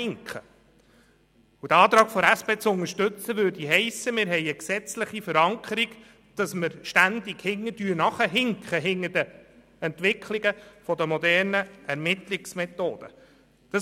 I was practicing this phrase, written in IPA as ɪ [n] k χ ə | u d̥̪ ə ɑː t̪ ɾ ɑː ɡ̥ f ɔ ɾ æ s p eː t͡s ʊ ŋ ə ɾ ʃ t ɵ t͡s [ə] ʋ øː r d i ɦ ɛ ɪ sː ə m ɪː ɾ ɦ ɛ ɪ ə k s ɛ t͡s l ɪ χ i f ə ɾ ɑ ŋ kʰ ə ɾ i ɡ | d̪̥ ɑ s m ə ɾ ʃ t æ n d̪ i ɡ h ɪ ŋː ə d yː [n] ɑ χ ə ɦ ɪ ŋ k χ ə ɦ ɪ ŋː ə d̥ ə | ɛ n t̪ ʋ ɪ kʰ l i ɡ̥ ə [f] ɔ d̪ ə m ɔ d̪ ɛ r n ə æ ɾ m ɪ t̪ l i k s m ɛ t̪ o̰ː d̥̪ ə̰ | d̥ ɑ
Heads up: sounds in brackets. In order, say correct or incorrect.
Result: incorrect: ŋ, correct, correct, correct

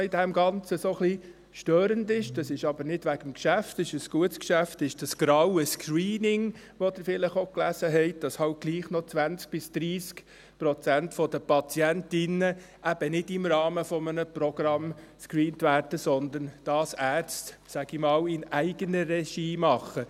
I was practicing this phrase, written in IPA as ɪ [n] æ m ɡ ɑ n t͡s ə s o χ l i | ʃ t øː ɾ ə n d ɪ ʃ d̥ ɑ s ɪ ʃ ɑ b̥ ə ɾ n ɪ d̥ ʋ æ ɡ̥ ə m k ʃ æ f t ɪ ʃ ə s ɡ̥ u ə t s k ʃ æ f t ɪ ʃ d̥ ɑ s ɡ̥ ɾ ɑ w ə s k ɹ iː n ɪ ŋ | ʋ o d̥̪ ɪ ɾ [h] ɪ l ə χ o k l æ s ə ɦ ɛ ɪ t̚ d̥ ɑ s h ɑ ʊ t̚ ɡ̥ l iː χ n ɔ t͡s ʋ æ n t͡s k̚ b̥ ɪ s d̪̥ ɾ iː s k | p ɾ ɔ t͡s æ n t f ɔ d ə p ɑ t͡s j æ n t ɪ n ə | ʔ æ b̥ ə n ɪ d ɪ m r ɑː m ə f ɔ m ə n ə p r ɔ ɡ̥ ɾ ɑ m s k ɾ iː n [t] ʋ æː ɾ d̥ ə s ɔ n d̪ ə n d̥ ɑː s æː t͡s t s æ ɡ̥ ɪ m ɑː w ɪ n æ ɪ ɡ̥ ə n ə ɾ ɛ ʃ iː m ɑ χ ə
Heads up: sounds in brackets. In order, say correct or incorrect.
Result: incorrect: d, incorrect: f, correct

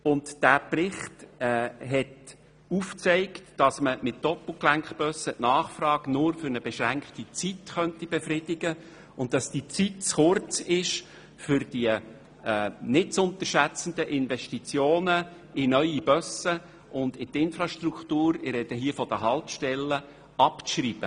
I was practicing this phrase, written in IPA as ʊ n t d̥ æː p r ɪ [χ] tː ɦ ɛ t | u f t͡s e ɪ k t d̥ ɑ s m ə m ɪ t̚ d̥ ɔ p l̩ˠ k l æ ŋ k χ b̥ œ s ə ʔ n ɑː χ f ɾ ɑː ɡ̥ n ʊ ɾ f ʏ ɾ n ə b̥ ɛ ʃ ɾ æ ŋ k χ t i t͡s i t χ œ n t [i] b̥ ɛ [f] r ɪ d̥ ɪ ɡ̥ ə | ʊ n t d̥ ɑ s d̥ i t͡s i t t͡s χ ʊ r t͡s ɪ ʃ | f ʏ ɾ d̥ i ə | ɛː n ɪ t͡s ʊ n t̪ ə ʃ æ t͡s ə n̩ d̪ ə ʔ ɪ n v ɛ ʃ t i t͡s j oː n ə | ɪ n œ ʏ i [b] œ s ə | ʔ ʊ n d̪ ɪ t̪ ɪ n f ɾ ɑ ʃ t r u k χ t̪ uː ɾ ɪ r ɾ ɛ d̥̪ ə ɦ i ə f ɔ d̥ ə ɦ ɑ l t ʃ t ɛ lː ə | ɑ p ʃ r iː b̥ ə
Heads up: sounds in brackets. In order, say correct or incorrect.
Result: correct, correct, correct, correct

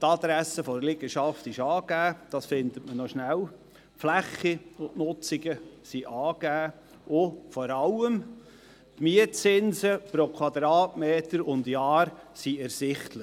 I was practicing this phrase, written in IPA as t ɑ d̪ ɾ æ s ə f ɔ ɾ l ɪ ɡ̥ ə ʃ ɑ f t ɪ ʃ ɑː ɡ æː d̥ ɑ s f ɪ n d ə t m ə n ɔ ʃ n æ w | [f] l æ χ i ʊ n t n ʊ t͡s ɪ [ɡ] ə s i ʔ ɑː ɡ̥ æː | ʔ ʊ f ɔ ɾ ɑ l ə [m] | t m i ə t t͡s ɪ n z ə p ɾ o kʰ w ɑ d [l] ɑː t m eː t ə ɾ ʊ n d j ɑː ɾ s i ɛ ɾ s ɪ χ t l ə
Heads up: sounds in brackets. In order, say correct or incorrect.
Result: correct, correct, correct, incorrect: ɾ

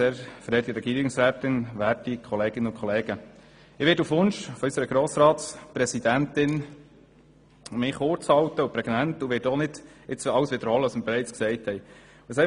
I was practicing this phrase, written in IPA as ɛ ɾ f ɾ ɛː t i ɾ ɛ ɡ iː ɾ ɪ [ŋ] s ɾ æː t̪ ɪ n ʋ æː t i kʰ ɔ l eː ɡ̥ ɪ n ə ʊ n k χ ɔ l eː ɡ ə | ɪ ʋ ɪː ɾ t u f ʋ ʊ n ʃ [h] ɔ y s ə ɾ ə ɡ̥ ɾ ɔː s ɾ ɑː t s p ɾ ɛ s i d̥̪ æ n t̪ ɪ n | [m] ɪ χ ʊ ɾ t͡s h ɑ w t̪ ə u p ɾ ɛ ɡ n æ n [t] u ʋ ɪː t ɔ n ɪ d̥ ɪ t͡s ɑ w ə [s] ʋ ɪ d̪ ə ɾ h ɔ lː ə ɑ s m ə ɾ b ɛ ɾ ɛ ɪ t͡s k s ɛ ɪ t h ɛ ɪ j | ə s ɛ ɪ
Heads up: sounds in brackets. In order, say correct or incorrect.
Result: correct, incorrect: f, correct, correct, correct

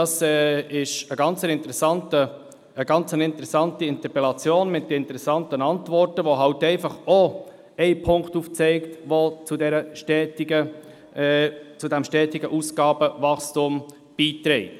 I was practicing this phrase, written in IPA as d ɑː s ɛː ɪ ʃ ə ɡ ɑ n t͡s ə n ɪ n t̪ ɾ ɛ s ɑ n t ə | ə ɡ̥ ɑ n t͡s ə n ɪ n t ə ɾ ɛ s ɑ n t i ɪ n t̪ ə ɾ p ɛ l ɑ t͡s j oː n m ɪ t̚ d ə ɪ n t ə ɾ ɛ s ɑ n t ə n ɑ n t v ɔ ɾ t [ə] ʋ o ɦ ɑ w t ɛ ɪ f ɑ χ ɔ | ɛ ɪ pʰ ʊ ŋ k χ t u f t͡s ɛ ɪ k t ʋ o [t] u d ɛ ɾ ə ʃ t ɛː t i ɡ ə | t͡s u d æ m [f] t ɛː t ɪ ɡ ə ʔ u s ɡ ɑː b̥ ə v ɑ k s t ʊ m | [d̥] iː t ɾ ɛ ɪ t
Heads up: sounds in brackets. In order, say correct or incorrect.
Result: correct, incorrect: t͡s, incorrect: ʃ, incorrect: b̥

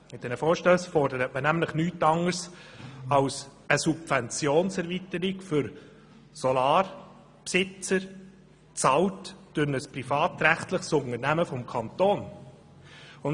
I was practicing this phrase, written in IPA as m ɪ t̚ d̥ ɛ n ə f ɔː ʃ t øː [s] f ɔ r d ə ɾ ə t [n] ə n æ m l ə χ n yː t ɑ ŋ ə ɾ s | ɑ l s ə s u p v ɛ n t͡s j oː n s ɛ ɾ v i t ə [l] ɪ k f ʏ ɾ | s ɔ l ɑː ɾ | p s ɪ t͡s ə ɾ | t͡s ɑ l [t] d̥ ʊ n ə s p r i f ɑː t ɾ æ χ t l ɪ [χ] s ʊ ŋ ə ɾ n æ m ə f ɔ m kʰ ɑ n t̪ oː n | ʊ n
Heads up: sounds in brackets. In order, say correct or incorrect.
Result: correct, incorrect: m, incorrect: ɾ, correct, correct

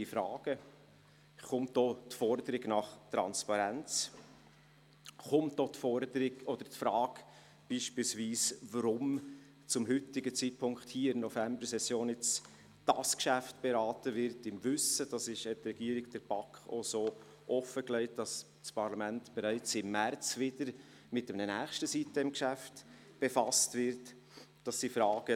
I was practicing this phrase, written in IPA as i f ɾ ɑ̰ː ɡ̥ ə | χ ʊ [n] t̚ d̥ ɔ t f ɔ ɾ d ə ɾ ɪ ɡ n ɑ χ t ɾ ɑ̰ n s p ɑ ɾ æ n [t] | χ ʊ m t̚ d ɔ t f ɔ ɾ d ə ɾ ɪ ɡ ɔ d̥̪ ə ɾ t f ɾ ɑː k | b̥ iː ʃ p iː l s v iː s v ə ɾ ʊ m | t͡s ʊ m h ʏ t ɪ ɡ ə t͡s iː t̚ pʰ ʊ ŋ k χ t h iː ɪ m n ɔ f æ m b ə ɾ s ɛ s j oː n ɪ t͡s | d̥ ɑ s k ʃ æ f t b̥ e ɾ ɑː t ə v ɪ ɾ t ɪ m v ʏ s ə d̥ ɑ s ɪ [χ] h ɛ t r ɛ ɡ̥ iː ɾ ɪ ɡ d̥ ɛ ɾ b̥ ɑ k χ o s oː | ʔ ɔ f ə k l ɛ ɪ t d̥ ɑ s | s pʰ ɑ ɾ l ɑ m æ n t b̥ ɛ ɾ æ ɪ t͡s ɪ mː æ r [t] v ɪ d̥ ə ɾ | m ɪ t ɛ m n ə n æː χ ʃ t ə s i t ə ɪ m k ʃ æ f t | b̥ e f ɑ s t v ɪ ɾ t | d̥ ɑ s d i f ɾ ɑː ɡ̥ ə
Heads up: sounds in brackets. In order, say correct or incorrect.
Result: incorrect: m, incorrect: t͡s, incorrect: ʃ, incorrect: t͡s

